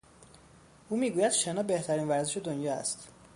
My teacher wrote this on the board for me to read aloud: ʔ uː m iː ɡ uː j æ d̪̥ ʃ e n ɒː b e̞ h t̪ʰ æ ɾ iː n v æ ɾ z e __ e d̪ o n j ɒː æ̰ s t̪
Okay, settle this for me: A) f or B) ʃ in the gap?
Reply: B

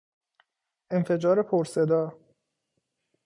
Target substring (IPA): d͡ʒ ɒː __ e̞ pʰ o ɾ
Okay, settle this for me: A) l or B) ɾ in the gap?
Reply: B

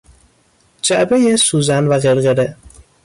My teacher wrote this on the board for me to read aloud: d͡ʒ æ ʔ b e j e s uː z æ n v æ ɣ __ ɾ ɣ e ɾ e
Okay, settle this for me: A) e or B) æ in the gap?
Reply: A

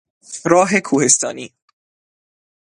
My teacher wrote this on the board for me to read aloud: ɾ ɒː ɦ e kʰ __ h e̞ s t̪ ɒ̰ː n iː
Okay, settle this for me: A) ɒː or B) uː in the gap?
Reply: B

